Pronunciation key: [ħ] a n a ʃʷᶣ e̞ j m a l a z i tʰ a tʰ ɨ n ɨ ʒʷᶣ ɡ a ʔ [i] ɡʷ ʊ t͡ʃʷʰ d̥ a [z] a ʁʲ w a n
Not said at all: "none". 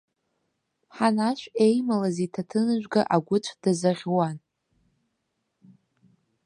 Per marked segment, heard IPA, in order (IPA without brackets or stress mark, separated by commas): ħ, a, z